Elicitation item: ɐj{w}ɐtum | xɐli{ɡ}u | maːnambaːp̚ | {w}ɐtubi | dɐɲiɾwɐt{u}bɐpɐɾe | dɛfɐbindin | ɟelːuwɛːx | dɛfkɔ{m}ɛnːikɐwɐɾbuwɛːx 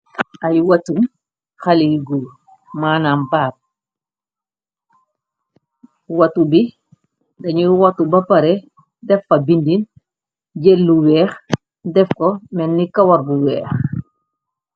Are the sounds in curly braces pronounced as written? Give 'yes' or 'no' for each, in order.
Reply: yes, yes, yes, yes, yes

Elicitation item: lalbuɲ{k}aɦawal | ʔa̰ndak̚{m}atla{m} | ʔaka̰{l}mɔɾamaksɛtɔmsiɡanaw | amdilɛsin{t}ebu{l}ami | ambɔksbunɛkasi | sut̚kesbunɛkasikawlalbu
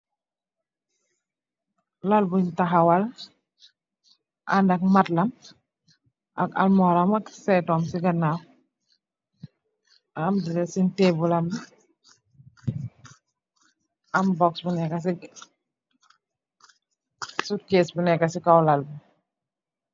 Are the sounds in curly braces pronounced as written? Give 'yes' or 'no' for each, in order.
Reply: no, yes, yes, yes, yes, yes

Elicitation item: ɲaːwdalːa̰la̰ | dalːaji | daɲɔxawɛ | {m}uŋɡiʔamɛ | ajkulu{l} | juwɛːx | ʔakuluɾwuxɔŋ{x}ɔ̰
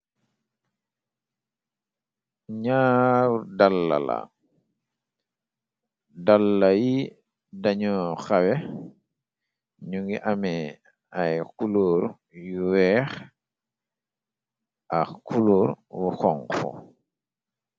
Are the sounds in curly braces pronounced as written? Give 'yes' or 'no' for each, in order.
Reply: no, no, no

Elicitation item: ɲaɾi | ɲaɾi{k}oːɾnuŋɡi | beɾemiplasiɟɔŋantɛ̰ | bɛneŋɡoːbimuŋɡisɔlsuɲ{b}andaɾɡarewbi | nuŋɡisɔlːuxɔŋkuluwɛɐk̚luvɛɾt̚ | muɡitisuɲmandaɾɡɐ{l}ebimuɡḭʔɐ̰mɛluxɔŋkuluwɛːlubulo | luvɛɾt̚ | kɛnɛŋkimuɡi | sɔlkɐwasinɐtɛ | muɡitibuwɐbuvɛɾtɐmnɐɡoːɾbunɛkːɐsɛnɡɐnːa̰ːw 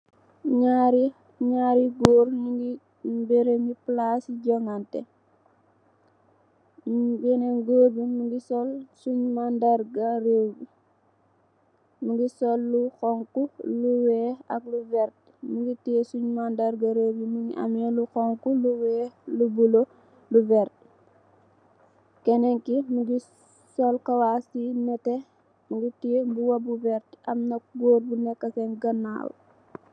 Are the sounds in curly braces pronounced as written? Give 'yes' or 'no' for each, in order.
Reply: no, no, no

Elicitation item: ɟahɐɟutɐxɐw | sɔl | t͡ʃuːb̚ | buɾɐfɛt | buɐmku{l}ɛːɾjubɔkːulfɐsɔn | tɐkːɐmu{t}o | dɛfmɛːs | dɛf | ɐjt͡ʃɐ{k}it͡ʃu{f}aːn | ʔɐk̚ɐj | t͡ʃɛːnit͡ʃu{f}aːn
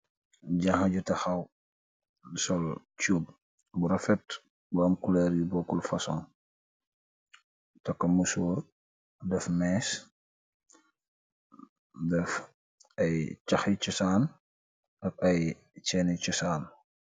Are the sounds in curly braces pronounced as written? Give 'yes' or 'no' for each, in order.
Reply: yes, no, no, no, no

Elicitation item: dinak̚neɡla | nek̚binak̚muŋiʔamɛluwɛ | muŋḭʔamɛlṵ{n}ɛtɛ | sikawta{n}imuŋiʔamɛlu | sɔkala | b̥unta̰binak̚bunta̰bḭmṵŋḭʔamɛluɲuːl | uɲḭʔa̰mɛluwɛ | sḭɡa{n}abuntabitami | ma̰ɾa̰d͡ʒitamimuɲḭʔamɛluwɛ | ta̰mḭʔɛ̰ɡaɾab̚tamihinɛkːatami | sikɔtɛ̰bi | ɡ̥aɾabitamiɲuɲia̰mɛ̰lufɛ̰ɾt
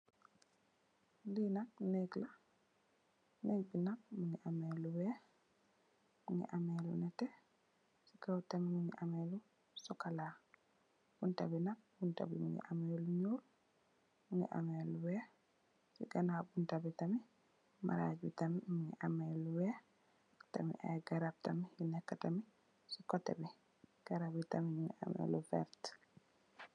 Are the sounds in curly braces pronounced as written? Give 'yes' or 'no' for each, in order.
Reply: yes, no, yes

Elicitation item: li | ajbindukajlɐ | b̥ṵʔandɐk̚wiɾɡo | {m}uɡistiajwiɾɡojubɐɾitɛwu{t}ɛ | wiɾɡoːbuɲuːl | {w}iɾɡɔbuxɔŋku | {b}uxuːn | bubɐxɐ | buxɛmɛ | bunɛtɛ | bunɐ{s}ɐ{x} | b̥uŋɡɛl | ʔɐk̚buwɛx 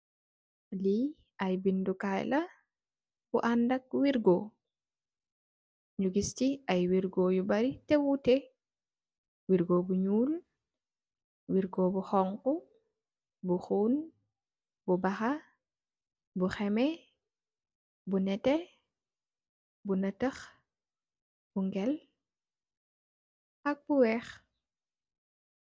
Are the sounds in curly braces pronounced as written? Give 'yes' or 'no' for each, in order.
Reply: no, yes, yes, yes, no, yes

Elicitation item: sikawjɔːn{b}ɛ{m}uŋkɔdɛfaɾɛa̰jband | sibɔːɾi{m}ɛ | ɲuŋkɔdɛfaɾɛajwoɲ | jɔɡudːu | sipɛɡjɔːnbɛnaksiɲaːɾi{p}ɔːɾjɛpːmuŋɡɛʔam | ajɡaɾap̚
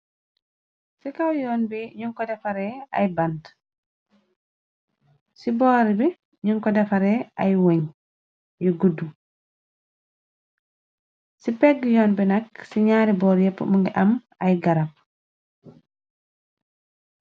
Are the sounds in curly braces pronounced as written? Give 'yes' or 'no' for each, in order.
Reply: yes, no, no, no

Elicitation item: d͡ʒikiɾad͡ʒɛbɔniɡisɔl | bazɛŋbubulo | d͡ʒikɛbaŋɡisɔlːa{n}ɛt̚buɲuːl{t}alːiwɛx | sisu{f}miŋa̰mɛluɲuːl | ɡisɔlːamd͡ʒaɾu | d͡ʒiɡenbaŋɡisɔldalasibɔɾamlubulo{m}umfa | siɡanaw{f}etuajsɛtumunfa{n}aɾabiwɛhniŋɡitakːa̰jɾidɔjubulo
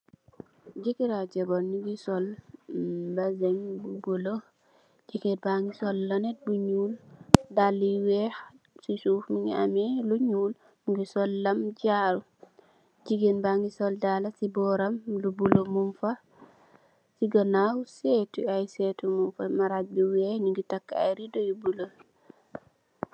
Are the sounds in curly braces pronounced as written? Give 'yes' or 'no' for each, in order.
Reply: yes, no, yes, yes, no, no

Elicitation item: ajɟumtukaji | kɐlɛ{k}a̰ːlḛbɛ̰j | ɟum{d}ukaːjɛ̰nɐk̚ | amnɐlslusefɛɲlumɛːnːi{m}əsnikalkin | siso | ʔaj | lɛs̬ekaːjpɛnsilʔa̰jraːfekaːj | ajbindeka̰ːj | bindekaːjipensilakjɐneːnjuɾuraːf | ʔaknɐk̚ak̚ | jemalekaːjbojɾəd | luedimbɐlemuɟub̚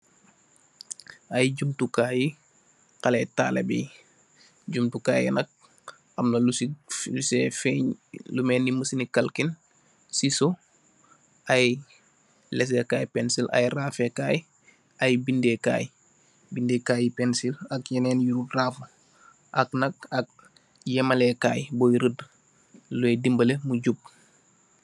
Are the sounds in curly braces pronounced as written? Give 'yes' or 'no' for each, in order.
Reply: no, no, yes

